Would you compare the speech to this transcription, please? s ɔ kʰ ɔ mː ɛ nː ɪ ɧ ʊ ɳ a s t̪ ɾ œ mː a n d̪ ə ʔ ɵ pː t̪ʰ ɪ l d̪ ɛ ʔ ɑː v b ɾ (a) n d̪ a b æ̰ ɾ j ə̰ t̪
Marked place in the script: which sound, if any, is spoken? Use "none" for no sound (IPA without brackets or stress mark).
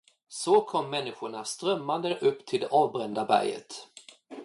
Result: ɛ